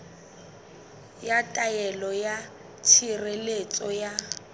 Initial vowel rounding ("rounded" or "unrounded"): unrounded